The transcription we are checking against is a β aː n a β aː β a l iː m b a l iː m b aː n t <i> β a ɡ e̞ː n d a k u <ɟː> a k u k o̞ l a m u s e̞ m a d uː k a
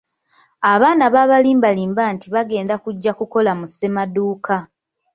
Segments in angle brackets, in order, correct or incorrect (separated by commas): correct, correct